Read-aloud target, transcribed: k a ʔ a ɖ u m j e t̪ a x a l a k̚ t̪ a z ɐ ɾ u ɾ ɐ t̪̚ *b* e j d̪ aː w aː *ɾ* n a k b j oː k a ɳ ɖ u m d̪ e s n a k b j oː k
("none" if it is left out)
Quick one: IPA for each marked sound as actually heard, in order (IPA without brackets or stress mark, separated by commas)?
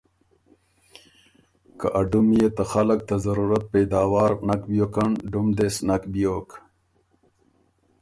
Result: p, ɾ